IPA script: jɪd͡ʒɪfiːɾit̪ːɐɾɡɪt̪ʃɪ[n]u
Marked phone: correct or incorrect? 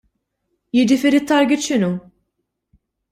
correct